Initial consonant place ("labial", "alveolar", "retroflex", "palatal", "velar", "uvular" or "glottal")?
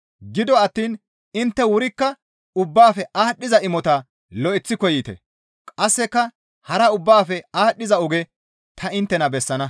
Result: velar